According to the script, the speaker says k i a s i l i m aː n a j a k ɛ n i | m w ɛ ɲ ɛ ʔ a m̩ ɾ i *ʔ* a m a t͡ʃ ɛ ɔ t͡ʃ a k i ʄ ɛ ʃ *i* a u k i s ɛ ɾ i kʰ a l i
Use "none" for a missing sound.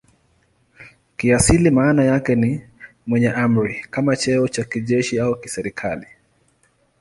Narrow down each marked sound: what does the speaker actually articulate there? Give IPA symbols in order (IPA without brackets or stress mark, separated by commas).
k, i